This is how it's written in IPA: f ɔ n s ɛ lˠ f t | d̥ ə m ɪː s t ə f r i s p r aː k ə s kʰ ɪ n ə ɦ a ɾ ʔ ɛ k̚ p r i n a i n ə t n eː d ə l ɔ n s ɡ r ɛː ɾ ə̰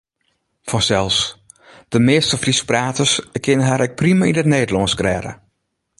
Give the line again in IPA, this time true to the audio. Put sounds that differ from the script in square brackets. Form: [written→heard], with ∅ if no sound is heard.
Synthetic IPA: f ɔ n s ɛ lˠ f [t→s] | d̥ ə m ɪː s t ə f r i s p r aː [k→t] ə s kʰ ɪ n ə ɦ a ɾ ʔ ɛ k̚ p r i [n→m] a i n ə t n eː d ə l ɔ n s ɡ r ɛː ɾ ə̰